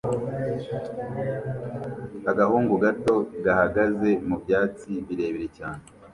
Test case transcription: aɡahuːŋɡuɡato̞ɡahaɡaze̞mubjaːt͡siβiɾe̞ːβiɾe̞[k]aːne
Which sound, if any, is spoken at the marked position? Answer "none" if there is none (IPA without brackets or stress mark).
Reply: c